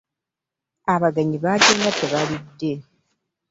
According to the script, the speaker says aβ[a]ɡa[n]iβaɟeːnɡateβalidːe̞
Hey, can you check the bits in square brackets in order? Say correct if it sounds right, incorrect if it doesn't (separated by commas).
correct, incorrect